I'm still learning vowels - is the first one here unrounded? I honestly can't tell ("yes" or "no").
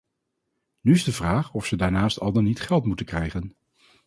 no